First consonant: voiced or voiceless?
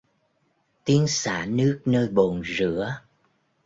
voiceless